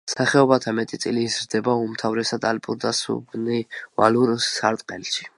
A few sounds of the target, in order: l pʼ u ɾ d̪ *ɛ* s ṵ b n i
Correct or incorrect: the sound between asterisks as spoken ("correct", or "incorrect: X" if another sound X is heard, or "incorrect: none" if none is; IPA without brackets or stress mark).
incorrect: a